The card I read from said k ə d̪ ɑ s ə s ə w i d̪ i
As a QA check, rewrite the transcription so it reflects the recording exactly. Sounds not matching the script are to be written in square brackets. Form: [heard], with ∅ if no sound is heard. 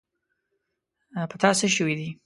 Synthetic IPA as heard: [p] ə [t̪] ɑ s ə [ʃ] ə w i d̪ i